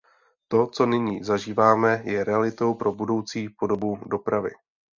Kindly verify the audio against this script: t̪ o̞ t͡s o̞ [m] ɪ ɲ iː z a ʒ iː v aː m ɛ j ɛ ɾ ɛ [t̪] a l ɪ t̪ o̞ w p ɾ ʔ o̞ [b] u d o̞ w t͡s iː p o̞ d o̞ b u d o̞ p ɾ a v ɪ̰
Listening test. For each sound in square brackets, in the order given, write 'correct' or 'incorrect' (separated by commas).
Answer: incorrect, incorrect, correct